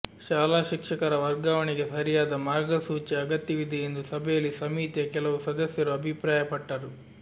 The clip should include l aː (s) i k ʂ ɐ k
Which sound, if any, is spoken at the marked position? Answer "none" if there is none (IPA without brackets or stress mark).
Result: ʃ